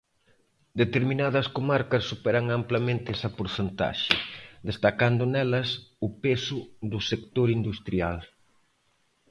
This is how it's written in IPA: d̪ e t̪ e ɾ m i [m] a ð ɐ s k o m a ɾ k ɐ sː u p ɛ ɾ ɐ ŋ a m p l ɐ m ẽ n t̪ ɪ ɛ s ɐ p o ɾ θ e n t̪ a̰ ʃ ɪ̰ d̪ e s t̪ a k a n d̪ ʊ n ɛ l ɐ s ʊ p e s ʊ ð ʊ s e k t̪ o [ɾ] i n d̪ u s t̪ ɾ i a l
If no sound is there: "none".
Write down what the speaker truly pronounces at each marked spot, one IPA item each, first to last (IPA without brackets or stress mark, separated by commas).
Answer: n, ɾ